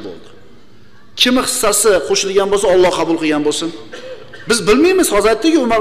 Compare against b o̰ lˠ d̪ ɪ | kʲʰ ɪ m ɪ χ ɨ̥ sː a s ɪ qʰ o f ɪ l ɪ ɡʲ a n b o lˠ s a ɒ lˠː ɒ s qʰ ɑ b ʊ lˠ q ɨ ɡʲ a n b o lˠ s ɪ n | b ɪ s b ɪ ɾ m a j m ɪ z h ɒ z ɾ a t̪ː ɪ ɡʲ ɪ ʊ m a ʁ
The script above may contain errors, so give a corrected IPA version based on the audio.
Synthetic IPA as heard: b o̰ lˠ d̪ ɪ | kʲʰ ɪ m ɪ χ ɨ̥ sː a s ɪ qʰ o ʃ ɪ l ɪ ɡʲ a n b o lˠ s a ɒ lˠː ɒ h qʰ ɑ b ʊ lˠ q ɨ ɡʲ a n b o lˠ s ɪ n | b ɪ z b ɪ l m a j m ɪ z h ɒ z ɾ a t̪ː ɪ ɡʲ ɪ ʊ m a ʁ